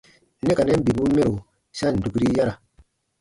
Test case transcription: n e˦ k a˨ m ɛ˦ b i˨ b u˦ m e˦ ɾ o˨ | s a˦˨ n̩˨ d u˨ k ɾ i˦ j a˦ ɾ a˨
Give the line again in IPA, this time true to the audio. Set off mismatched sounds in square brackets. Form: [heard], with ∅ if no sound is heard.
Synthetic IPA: n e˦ k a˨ [n] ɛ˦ b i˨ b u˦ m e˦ ɾ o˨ | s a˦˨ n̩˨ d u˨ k ɾ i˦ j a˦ ɾ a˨